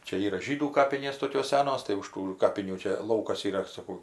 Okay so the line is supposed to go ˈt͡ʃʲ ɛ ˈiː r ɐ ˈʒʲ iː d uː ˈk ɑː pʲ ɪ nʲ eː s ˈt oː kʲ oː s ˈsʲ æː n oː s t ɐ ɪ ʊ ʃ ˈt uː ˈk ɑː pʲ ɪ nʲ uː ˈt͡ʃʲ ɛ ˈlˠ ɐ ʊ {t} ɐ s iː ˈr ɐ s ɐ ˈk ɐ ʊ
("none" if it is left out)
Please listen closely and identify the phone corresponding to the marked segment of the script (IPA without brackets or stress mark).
k